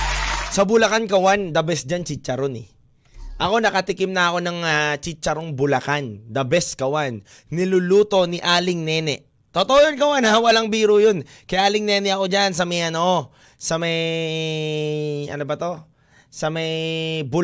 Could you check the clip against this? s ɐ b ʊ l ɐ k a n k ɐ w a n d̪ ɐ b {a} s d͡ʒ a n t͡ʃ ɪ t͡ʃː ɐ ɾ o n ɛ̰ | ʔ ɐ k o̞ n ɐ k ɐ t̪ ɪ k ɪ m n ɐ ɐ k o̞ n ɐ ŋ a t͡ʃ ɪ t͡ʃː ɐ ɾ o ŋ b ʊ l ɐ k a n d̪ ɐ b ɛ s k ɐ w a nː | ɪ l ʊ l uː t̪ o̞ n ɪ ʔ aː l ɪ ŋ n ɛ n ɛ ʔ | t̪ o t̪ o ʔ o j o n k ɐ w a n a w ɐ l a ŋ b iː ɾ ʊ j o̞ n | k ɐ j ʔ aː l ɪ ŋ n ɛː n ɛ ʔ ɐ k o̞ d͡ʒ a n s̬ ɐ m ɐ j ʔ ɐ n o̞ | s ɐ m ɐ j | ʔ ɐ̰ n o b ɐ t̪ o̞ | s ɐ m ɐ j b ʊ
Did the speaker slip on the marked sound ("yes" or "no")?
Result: yes